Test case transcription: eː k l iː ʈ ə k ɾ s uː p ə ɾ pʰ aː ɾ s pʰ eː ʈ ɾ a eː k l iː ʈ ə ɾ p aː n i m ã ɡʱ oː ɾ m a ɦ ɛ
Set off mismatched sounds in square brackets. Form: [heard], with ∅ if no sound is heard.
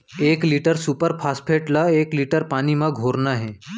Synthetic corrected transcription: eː k l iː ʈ ə [∅] ɾ s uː p ə ɾ pʰ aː [∅] s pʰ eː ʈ [l] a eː k l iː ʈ ə ɾ p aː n i m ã ɡʱ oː ɾ [n] a ɦ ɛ